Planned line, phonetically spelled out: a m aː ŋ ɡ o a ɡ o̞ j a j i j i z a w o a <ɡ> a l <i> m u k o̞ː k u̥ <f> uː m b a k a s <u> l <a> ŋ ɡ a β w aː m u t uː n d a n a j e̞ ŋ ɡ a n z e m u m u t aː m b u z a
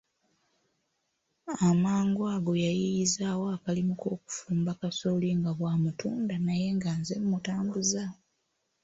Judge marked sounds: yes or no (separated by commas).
no, yes, yes, no, no